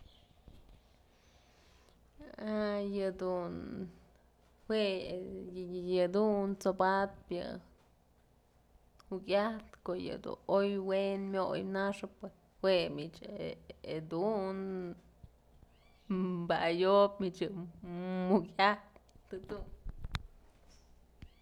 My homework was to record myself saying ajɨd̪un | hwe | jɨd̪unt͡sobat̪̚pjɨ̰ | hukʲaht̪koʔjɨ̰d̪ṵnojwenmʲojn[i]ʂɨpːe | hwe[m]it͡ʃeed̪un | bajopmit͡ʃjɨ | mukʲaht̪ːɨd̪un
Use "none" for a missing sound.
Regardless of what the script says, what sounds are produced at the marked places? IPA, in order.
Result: a, m

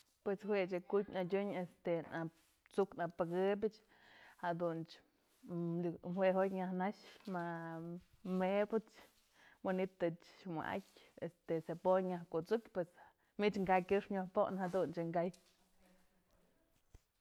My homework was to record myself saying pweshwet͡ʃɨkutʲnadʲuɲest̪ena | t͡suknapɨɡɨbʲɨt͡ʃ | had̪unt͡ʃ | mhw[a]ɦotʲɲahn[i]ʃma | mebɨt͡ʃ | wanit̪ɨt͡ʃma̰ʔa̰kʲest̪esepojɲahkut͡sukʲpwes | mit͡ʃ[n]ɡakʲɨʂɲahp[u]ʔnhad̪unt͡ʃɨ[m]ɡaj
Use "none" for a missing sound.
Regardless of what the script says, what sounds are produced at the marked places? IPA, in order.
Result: e, a, ŋ, o, ŋ

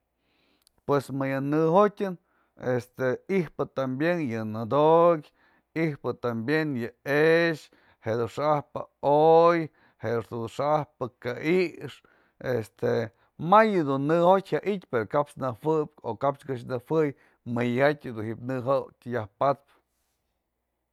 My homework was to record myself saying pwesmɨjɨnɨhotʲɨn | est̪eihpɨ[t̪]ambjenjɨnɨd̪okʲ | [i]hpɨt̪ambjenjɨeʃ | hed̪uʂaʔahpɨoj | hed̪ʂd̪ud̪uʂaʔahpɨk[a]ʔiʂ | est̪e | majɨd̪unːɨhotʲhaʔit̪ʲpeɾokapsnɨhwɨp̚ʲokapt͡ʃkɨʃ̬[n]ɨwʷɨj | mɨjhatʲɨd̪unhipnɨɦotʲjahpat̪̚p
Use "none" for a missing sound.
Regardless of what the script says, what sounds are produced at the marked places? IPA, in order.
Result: t̪, i, a, n

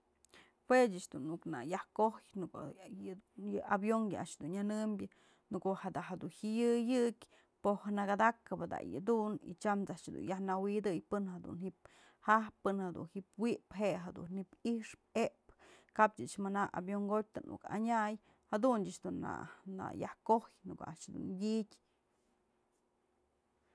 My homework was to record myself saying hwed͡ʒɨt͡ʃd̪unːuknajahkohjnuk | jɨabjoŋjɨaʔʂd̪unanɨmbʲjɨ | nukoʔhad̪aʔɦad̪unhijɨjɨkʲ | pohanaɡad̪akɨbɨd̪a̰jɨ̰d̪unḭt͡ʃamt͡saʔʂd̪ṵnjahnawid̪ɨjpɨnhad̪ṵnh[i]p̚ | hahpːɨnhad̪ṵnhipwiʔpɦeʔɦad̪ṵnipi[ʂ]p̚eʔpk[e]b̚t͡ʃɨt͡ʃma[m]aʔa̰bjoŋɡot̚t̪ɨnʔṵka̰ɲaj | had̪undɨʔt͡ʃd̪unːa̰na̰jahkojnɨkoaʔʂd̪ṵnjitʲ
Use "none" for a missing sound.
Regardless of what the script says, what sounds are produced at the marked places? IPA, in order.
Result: i, ʂ, a, n

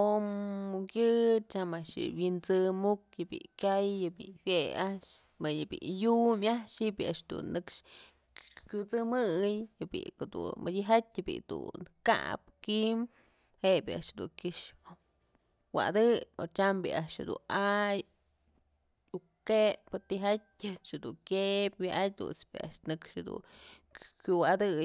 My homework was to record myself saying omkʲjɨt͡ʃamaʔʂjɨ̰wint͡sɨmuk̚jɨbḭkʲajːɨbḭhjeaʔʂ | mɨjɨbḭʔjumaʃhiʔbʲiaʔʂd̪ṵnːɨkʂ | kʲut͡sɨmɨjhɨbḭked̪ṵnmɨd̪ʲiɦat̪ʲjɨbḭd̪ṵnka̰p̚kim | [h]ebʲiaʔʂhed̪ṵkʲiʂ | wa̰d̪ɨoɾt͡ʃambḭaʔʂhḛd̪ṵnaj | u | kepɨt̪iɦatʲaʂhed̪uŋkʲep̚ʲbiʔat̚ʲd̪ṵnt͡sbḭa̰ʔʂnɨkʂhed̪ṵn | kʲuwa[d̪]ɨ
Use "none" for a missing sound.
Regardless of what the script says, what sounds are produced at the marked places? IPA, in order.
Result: h, d̪

